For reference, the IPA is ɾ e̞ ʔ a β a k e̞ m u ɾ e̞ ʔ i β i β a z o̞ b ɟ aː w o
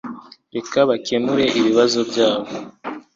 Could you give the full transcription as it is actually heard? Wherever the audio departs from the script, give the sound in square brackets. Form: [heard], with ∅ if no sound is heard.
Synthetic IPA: ɾ e̞ [k] a β a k e̞ m u ɾ e̞ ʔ i β i β a z o̞ b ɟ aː [β] o